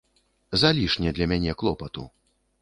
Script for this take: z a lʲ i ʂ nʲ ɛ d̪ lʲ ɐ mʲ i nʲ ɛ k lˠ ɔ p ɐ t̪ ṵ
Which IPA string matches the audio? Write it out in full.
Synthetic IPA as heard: z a lʲ i ʂ nʲ ɛ d̪ lʲ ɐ mʲ a nʲ ɛ k lˠ ɔ p ɐ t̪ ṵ